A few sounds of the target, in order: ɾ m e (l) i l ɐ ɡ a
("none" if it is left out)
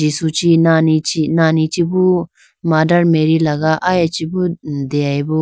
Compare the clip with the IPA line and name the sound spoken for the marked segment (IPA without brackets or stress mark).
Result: ɾ